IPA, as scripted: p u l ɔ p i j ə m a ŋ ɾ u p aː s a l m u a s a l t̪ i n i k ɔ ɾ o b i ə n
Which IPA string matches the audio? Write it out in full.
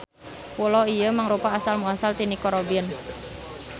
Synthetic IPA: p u l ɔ i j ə m a ŋ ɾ u p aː s a l m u a s a l t̪ i n i k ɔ ɾ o b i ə n